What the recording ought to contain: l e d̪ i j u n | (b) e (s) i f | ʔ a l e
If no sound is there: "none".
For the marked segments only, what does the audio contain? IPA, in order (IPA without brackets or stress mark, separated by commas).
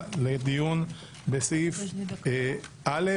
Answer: b, s